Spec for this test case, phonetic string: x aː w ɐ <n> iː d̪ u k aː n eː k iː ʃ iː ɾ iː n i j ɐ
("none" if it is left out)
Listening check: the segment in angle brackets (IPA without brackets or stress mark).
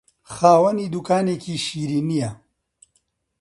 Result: n